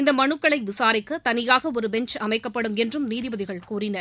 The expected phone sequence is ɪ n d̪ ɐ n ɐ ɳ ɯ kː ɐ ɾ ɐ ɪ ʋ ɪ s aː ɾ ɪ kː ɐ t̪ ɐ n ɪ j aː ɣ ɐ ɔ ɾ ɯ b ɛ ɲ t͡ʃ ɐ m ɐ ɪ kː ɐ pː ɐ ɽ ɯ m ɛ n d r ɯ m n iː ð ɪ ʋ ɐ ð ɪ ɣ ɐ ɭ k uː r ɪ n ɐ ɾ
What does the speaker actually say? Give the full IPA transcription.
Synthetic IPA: ɪ n d̪ ɐ m ɐ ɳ ɯ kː ɐ ɭ ɐ ɪ ʋ ɪ s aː ɾ ɪ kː ɐ t̪ ɐ n ɪ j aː ɣ ɐ ɔ ɾ ɯ b ɛ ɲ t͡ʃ ɐ m ɐ ɪ kː ɐ pː ɐ ɽ ɯ m ɛ n d r ɯ m n iː ð ɪ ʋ ɐ ð ɪ ɣ ɐ ɭ k uː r ɪ n ɐ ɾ